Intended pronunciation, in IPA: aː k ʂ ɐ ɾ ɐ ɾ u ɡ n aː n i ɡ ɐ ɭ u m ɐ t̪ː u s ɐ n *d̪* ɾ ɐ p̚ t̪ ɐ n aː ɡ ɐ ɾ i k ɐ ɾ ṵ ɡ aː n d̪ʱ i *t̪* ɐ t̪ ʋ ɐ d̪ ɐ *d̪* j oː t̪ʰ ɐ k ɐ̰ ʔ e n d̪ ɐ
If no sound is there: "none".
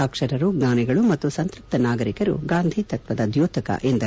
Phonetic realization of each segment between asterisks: t̪, t̪, d̪

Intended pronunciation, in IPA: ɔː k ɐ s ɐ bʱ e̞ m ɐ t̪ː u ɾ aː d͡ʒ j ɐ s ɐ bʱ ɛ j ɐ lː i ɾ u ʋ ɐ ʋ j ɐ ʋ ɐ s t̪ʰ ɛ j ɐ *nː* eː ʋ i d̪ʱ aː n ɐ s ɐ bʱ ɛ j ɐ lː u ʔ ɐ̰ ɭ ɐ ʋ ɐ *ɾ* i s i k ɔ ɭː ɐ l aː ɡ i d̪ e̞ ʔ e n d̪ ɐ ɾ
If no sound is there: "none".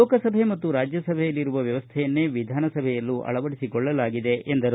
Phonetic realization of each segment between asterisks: nː, ɽ

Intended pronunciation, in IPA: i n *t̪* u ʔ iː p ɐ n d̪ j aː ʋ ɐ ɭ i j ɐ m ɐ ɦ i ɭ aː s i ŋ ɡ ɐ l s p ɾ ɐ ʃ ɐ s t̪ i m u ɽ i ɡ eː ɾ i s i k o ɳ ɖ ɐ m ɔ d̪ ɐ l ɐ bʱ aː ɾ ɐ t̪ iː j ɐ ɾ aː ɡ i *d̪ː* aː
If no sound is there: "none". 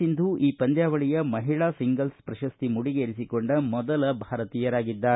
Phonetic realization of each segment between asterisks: d̪, d̪ː

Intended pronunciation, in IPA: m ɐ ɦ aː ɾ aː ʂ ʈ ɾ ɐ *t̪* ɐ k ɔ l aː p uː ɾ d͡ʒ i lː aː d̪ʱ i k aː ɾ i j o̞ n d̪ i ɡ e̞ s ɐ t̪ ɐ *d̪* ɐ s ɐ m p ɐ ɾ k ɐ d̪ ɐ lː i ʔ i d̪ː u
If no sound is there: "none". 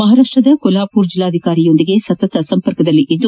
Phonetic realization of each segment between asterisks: d̪, t̪

